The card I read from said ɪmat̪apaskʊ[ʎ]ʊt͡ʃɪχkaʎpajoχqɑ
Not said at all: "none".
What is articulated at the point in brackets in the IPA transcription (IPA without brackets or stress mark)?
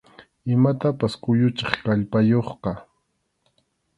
j